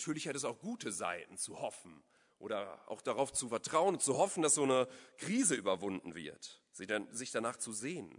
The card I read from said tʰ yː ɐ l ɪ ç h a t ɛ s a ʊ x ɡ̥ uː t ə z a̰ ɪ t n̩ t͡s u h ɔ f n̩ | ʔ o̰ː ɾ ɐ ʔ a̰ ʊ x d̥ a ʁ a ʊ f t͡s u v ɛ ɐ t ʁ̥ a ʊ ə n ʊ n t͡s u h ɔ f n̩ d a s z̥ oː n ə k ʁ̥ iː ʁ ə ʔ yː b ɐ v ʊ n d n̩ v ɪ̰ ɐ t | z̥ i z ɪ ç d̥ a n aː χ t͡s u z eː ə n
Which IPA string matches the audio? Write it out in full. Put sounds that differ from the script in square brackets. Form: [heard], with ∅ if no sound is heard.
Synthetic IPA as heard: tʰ yː ɐ l ɪ ç h a t ɛ s a ʊ x ɡ̥ uː t ə z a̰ ɪ t n̩ t͡s u h ɔ f n̩ | ʔ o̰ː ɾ ɐ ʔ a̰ ʊ x d̥ a ʁ a ʊ f t͡s u [f] ɛ ɐ t ʁ̥ a ʊ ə n ʊ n t͡s u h ɔ f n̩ d a s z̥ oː n ə k ʁ̥ iː [z] ə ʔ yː b ɐ v ʊ n d n̩ v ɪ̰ ɐ t | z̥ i z ɪ ç d̥ a n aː χ t͡s u z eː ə n